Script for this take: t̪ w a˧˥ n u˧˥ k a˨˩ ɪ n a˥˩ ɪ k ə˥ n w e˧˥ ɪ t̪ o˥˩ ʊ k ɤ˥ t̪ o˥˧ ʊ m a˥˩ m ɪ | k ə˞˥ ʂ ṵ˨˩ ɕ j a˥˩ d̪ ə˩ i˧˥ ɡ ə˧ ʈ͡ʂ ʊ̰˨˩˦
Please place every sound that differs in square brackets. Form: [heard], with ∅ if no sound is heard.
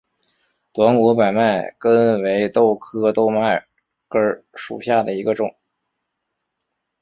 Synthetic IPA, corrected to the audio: t̪ w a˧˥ n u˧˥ [p] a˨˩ ɪ [m] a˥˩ ɪ k ə˥ n w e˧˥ ɪ t̪ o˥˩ ʊ [kʰ] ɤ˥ t̪ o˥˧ ʊ m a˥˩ [∅] ɪ | k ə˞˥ ʂ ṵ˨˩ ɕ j a˥˩ d̪ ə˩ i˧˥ ɡ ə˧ ʈ͡ʂ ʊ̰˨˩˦